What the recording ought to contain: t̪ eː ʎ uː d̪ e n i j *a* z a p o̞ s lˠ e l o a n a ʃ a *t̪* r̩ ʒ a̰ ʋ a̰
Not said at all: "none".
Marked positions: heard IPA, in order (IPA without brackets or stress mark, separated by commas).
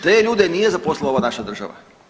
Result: e, d̪